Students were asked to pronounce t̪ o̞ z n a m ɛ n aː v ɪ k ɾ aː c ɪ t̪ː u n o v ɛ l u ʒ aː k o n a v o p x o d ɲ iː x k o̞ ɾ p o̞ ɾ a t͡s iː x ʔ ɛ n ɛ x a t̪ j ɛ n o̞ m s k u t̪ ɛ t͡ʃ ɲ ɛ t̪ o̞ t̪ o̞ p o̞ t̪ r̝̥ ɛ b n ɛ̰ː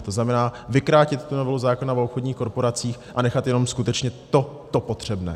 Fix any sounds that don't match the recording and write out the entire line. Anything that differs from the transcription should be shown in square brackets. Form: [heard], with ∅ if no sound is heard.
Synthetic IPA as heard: t̪ o̞ z n a m ɛ n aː v ɪ k ɾ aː c ɪ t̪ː u n o v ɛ l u [z] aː k o n a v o p x o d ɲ iː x k o̞ ɾ p o̞ ɾ a t͡s iː x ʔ [a] n ɛ x a t̪ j ɛ n o̞ m s k u t̪ ɛ t͡ʃ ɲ ɛ t̪ o̞ t̪ o̞ p o̞ t̪ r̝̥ ɛ b n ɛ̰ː